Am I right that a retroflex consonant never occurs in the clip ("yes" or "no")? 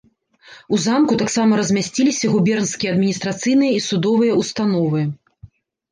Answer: yes